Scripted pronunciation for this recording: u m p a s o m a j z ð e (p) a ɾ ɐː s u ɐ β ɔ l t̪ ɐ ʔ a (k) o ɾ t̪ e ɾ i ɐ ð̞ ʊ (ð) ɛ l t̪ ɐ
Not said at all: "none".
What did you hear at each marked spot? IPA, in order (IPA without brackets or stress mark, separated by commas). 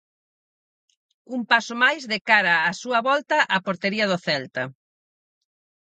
k, p, θ